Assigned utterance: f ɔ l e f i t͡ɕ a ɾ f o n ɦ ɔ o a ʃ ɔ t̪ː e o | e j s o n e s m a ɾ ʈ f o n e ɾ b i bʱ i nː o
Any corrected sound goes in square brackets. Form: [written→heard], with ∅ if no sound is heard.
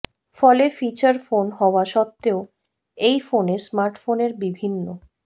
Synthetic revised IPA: f ɔ l e f i t͡ɕ a ɾ f o n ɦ ɔ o a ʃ ɔ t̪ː e o | e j [s→f] o n e s m a ɾ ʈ f o n e ɾ b i bʱ i nː o